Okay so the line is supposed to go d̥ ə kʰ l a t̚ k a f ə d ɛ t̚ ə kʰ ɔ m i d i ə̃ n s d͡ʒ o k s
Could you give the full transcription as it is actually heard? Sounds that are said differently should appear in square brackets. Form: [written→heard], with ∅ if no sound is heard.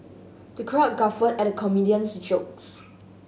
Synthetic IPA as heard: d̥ ə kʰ [l→ɹ] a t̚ [k→ɡ] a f ə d ɛ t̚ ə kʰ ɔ m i d i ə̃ n s d͡ʒ o k s